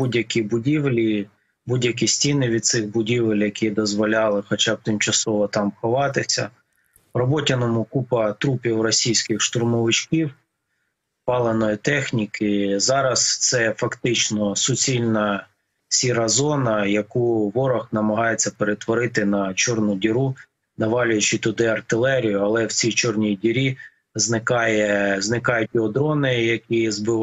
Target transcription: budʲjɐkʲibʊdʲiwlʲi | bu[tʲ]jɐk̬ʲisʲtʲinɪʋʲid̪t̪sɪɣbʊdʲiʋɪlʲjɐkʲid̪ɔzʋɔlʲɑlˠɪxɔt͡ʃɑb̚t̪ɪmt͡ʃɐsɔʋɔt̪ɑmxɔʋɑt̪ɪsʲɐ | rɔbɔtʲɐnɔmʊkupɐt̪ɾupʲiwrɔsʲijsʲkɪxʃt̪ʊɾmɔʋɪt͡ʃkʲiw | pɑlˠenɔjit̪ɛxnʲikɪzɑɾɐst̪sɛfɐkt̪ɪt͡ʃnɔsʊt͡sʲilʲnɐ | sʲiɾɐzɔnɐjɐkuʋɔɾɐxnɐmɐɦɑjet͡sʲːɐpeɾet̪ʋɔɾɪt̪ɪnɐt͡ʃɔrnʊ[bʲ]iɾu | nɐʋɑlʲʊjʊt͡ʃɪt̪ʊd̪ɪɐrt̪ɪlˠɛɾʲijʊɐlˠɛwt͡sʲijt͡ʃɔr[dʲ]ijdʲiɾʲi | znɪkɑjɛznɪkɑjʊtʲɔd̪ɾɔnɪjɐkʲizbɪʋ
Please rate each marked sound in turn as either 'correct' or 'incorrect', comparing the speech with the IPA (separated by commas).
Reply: incorrect, incorrect, incorrect